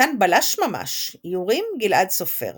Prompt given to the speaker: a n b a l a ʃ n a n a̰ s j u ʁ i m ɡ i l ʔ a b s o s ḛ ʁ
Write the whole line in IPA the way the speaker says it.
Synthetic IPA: a n b a l a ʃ m a m a̰ ʃ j u ʁ i m ɡ i l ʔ a d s o f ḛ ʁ